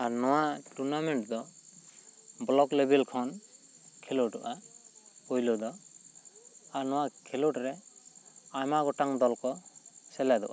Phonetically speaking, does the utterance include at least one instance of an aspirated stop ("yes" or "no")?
yes